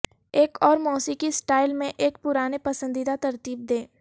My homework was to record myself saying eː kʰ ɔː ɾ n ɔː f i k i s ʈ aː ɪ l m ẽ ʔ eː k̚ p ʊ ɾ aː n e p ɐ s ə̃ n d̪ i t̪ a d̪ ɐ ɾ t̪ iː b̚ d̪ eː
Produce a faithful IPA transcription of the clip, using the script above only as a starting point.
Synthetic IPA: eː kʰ ɔː ɾ m ɔː s i k i s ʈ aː ɪ l m ẽ ʔ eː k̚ p ʊ ɾ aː n e p ɐ s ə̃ n d̪ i d̪ a t̪ ɐ ɾ t̪ iː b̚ d̪ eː

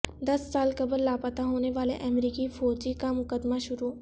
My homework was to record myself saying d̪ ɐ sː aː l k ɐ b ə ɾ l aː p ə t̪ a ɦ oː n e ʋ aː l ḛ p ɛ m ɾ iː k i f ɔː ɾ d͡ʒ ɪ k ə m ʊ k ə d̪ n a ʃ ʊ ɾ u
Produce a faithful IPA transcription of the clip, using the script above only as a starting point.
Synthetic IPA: d̪ ɐ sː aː l k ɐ b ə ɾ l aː p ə t̪ a ɦ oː n e ʋ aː l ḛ ʔ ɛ m ɾ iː k i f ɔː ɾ d͡ʒ i k a m ʊ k ə d̪ m a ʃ ʊ ɾ u

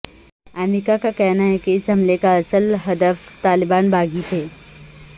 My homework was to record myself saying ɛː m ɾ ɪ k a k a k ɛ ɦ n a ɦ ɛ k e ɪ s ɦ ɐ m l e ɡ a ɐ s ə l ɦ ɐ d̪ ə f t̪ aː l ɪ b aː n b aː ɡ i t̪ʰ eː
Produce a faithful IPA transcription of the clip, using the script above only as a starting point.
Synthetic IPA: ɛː m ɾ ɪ k a k a k ɛ ɦ n a ɦ ɛ k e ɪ s ɦ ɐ m l e k a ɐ s ə l ɦ ɐ d̪ ə f t̪ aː l ɪ b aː n b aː ɡ i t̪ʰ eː

